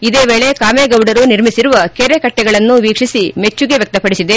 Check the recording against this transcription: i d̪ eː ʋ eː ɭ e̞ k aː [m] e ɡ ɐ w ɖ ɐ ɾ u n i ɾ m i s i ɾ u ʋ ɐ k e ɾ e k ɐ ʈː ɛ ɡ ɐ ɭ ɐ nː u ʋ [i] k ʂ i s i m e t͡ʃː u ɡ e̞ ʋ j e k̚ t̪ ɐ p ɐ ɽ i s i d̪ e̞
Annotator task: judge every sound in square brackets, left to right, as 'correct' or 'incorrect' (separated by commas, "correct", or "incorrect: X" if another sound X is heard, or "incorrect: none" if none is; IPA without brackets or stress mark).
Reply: correct, incorrect: iː